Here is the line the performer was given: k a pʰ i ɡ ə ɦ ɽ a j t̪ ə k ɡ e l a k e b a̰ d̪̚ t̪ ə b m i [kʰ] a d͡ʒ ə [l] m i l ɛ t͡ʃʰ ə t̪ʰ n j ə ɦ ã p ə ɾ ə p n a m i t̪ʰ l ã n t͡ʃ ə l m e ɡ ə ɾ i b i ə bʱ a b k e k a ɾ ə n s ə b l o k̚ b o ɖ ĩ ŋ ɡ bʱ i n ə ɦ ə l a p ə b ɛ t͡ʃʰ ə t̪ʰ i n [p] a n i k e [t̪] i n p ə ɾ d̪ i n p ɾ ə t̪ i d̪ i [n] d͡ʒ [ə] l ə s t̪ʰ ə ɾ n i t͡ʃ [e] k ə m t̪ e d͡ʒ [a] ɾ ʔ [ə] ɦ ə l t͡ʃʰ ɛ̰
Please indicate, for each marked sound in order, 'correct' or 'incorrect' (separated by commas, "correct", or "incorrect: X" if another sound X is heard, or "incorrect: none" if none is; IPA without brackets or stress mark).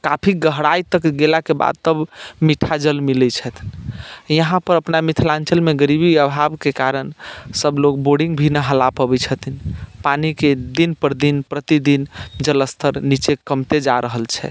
incorrect: ʈʰ, correct, correct, incorrect: d̪, correct, correct, correct, correct, correct